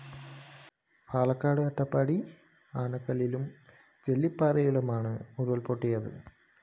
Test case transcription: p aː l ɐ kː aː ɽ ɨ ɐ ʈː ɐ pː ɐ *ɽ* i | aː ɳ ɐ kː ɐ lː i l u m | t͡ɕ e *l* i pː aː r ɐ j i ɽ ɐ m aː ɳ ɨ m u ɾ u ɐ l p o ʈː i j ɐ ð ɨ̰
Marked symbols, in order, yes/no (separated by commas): yes, no